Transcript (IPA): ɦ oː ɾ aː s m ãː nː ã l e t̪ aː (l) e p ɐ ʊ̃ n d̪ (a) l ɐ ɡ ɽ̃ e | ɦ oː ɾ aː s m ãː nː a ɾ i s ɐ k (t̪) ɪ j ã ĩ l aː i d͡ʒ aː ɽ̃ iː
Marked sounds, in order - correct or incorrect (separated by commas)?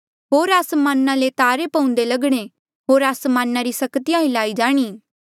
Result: incorrect, incorrect, correct